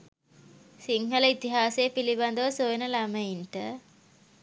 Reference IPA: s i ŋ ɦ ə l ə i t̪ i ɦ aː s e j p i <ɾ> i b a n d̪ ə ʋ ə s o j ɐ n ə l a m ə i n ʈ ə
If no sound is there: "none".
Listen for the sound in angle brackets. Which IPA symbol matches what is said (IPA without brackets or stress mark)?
l